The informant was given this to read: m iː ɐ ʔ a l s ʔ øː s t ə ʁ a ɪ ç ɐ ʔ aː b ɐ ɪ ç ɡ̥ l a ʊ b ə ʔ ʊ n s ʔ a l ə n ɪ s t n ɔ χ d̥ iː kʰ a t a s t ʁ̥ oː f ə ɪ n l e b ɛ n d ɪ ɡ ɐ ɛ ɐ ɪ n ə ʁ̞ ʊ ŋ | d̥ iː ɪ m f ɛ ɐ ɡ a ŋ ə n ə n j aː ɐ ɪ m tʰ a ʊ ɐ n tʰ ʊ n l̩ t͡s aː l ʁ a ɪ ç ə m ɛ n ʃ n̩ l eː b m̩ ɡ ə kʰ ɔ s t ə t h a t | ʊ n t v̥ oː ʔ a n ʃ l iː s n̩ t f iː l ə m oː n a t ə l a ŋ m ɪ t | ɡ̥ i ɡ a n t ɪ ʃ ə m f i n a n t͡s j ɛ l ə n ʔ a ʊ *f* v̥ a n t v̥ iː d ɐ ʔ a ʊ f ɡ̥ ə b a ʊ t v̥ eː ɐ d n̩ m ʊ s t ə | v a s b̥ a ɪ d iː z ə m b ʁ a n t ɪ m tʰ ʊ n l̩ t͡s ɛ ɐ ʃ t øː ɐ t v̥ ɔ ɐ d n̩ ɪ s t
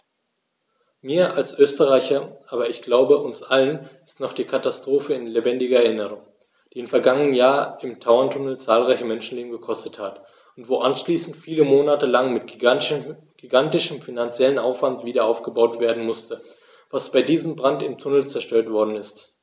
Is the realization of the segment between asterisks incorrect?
no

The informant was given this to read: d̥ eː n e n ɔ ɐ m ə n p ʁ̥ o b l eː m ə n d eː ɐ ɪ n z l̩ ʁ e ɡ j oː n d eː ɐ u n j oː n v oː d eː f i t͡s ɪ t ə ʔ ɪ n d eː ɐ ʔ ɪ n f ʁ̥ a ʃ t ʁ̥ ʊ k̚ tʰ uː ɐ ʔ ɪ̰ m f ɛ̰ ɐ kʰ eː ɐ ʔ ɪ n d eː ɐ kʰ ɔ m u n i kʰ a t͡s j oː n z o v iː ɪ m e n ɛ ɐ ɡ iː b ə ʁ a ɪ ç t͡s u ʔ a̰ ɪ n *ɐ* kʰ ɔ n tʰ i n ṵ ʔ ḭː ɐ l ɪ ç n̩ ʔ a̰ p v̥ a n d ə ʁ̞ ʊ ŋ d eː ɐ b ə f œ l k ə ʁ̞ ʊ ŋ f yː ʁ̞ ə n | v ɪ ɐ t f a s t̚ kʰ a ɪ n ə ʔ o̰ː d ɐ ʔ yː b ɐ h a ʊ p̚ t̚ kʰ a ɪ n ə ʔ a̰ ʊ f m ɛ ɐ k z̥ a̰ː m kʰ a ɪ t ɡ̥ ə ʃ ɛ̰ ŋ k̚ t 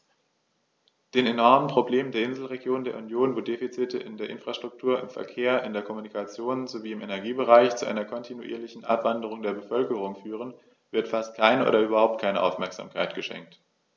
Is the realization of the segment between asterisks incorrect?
no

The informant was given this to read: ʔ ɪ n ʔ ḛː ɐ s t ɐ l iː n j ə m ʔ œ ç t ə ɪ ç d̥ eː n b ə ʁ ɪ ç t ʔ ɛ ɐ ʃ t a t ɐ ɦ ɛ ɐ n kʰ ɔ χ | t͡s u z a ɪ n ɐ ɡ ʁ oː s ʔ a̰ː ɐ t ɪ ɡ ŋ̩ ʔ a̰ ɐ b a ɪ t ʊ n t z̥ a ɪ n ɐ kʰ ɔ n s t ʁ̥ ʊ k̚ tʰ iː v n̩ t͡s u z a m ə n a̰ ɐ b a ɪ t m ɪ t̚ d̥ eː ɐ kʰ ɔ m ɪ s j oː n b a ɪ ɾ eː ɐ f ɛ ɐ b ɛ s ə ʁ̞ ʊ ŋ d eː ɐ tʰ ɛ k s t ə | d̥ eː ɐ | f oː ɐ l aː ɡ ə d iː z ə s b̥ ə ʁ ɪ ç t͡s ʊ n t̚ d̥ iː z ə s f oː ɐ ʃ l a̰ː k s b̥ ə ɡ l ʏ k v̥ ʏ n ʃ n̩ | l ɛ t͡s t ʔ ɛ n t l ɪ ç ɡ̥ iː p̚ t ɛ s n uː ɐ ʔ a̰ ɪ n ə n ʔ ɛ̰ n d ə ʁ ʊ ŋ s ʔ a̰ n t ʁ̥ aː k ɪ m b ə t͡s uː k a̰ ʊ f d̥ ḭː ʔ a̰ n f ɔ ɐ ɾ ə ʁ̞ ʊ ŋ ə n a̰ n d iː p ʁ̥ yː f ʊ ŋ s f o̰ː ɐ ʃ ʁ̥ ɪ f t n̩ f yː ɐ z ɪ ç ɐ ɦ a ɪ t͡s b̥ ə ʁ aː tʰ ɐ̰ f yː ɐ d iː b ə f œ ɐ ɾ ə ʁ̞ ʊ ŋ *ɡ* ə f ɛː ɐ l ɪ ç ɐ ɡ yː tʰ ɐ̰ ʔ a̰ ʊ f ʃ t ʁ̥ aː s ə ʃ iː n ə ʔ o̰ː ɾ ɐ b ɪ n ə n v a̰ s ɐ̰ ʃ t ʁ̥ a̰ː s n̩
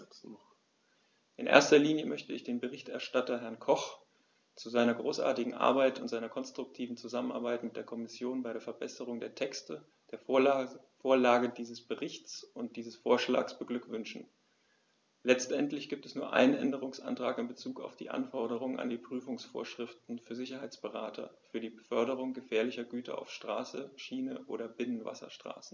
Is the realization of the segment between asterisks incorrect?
no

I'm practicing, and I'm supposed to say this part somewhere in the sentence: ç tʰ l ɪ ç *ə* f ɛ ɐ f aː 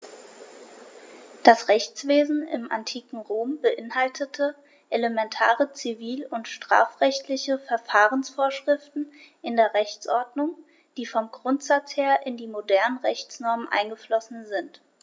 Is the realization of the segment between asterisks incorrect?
no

